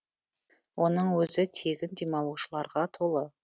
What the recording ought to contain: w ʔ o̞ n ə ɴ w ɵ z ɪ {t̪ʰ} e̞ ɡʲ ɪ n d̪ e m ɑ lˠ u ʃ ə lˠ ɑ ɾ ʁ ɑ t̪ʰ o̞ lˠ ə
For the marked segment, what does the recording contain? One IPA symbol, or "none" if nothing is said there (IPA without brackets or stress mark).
t̪ʰ